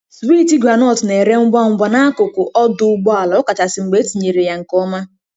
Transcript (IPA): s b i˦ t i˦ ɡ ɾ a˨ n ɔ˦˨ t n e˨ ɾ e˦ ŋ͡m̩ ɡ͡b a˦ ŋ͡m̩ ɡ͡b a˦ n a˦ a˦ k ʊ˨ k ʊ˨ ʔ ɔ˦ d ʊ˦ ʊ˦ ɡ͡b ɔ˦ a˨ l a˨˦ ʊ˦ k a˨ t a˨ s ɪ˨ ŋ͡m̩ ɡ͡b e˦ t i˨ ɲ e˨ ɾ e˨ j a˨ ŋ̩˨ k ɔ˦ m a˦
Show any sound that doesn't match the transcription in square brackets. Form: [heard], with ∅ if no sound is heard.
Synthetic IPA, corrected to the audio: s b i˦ t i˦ ɡ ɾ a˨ n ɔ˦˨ t n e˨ ɾ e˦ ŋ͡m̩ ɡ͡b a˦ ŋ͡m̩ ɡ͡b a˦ n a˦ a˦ k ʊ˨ k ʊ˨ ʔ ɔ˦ d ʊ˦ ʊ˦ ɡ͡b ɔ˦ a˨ l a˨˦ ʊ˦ k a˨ t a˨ s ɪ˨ ŋ͡m̩ ɡ͡b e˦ t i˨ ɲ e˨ ɾ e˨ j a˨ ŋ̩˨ k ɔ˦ m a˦